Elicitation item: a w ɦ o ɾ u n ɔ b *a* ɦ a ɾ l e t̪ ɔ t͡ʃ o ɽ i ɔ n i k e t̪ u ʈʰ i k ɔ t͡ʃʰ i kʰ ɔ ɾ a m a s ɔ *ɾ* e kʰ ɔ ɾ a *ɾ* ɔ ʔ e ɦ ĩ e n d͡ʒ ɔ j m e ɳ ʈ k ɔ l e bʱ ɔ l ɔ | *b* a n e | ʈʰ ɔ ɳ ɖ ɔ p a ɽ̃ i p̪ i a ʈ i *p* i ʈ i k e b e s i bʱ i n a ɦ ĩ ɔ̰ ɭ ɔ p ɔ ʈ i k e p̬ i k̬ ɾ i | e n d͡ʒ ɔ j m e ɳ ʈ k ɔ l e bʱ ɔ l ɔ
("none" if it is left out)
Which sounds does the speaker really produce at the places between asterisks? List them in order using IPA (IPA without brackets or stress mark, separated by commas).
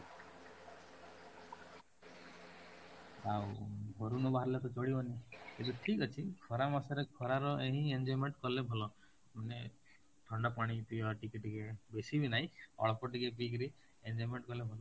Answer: a, ɾ, ɾ, m, k